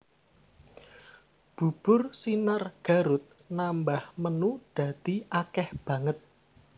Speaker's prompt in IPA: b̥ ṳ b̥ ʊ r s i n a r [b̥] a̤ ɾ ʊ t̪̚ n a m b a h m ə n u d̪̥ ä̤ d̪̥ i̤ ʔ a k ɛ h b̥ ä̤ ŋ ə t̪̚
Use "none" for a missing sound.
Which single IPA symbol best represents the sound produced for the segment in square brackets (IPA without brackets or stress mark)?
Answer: ɡ̥